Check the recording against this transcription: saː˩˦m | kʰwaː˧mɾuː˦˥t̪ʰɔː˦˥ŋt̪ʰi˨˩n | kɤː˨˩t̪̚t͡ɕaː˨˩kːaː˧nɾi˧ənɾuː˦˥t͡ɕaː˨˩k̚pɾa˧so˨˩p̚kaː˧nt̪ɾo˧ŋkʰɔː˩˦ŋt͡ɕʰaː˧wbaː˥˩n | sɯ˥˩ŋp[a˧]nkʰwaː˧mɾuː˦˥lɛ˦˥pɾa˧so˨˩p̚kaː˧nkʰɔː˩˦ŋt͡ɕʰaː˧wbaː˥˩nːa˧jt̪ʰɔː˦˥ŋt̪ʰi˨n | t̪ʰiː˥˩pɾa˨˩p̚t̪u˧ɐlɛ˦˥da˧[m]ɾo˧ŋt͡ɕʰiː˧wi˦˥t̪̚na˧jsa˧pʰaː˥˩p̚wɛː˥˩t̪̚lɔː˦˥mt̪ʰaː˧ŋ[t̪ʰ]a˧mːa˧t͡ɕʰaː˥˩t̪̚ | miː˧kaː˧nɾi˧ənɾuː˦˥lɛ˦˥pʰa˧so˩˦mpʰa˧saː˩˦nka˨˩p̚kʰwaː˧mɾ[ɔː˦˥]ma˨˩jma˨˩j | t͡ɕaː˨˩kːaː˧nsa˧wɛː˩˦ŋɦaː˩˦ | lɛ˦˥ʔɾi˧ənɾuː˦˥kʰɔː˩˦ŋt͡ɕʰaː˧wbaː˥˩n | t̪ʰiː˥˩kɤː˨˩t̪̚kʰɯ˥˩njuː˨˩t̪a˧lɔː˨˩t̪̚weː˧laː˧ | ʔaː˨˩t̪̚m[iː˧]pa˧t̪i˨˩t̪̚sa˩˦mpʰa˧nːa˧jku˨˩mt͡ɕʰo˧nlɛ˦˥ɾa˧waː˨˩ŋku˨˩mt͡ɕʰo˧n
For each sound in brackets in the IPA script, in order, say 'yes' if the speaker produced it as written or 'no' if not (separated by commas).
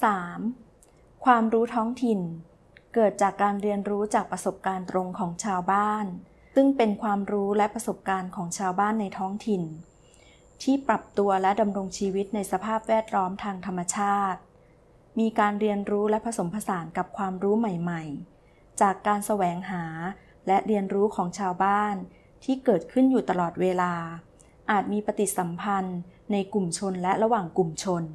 no, yes, yes, no, yes